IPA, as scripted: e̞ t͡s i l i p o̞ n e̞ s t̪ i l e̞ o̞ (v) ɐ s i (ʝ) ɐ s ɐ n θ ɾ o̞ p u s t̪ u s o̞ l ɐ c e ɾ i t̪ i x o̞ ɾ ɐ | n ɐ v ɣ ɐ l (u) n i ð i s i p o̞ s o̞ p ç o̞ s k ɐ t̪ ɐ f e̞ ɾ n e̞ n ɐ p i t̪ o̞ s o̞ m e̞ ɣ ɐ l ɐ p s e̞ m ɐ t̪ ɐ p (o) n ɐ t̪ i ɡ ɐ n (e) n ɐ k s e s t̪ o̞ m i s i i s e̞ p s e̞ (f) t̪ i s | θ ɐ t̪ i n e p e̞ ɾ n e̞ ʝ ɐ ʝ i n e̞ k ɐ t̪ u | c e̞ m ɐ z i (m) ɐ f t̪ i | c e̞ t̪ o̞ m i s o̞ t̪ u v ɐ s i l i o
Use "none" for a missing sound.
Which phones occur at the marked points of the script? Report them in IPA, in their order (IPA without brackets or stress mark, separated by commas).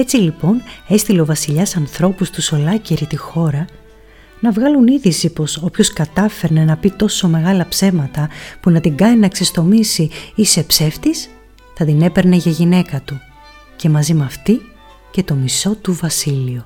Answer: v, ʎ, u, u, i, f, m